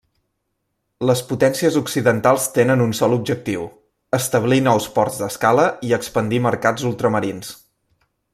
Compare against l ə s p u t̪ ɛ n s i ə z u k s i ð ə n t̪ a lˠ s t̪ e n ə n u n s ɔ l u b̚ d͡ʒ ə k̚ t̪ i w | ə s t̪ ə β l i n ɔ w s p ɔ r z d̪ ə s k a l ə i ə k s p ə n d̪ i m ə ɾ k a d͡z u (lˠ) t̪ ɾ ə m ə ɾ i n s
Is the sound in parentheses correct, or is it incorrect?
correct